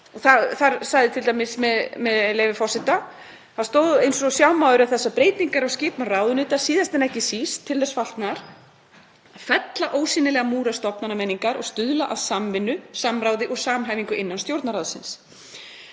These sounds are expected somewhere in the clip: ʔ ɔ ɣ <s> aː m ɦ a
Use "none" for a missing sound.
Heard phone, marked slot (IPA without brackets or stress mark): s